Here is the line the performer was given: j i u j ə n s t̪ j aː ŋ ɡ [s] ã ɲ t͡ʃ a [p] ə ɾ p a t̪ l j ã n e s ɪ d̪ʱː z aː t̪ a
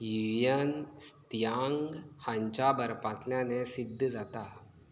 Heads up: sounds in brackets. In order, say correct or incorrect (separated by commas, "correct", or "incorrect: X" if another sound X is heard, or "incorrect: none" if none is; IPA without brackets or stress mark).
incorrect: h, incorrect: b